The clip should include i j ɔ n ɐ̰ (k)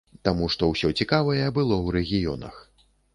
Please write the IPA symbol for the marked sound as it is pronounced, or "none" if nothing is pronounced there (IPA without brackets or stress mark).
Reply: x